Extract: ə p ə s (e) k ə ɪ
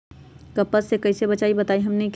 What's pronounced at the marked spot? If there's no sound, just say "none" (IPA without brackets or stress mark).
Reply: e